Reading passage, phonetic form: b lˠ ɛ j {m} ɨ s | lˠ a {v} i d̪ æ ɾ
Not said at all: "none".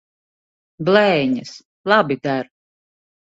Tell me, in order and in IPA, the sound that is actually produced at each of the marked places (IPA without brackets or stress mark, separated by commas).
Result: ɲ, b